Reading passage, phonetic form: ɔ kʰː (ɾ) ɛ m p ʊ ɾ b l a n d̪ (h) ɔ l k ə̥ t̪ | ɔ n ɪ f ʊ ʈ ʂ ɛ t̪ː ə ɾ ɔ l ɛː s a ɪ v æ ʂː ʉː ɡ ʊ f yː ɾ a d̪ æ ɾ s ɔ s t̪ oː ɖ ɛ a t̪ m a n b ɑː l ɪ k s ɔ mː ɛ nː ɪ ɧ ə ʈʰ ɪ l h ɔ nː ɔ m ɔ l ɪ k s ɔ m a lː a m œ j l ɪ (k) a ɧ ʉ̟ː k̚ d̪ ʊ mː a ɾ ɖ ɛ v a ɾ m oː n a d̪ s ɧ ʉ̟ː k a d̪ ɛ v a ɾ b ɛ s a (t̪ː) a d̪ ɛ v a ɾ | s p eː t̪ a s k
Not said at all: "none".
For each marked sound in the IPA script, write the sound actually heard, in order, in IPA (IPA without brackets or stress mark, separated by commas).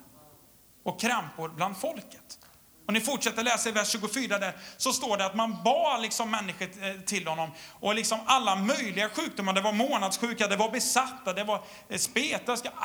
ɾ, f, ɡ, t̪ː